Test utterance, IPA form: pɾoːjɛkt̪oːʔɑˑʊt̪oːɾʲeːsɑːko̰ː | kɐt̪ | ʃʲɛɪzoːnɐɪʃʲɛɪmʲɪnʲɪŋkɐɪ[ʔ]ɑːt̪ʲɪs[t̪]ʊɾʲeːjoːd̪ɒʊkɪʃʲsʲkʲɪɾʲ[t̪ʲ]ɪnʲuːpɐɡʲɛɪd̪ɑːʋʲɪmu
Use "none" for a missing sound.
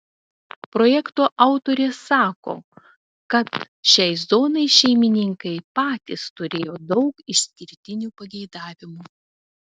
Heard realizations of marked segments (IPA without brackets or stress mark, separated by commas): p, t̪, t̪ʲ